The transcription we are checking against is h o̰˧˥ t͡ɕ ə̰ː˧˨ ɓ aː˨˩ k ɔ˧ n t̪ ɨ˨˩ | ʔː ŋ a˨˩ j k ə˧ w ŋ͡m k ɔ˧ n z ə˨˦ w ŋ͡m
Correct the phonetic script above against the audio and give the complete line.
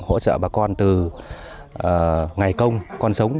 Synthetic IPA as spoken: h o̰˧˥ t͡ɕ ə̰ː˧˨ ɓ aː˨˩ k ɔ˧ n t̪ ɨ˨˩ | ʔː ŋ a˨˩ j k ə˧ w ŋ͡m k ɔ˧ n s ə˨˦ w ŋ͡m